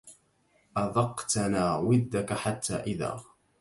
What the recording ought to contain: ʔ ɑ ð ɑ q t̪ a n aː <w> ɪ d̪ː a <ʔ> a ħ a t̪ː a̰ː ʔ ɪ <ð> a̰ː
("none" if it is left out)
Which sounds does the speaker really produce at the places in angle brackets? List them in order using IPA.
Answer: w, k, ð

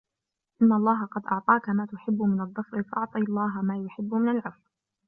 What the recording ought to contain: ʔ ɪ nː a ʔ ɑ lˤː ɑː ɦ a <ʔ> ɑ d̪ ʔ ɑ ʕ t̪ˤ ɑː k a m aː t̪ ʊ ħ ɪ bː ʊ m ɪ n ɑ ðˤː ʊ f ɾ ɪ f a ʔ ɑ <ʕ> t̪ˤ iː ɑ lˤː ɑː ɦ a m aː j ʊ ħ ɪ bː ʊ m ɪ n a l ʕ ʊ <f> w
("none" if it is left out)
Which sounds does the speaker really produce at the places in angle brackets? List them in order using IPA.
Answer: q, ʕ, f

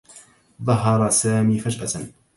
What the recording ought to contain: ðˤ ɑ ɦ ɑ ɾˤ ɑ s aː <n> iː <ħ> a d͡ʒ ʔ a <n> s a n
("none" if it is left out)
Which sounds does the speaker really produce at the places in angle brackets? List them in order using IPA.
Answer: m, f, none

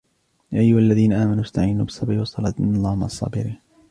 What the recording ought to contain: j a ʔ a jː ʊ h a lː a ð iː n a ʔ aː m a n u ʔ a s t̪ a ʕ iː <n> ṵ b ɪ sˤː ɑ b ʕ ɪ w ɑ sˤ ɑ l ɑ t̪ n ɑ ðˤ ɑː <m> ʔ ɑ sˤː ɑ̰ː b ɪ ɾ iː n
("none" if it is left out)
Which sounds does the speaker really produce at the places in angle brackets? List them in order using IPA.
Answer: n, m

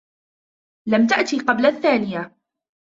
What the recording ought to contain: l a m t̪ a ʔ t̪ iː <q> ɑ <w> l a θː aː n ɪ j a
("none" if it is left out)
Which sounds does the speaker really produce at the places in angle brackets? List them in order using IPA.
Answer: q, b

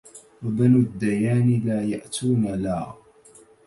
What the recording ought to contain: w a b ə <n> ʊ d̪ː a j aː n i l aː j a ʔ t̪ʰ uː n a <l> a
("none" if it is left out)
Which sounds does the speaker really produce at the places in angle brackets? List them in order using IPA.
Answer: n, l

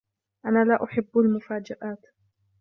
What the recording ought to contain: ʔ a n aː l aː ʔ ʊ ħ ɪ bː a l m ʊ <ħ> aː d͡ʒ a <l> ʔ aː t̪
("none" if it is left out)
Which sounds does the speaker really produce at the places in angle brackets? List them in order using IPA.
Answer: f, none

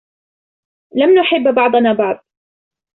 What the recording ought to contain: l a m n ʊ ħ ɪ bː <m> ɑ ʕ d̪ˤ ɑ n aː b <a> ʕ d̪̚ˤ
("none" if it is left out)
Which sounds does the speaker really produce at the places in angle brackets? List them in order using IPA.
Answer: b, ɑ

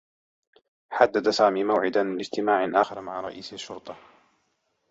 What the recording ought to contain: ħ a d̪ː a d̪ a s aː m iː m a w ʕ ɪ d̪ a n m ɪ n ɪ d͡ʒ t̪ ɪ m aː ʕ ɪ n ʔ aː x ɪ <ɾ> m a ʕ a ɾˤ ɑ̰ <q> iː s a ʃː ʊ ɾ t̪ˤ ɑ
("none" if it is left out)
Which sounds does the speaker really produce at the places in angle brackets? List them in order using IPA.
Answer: ɾ, ʔ

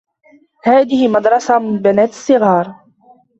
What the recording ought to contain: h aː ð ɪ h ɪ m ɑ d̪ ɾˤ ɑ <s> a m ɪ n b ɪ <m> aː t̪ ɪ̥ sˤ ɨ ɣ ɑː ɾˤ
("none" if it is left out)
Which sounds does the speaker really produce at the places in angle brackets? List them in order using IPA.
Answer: s, n

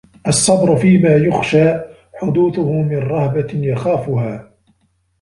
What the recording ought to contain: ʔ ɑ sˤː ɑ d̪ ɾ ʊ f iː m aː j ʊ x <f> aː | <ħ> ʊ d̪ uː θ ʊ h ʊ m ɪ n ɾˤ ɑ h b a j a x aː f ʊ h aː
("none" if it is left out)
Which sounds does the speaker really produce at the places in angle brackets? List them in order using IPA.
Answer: ʃ, ħ

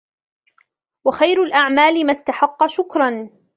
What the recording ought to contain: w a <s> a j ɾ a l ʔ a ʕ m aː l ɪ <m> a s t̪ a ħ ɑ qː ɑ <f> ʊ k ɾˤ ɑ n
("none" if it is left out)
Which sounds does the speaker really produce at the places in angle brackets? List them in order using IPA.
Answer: x, m, ʃ

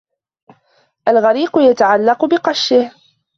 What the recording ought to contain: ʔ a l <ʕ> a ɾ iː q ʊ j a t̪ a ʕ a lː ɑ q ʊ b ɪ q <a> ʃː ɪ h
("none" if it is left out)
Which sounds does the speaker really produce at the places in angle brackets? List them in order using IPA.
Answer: ɣ, ɑ

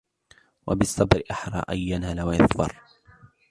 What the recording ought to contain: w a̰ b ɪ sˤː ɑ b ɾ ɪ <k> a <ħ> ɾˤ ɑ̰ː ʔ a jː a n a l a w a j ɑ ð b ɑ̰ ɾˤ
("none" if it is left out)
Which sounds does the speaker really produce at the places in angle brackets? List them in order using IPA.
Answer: ʔ, ħ

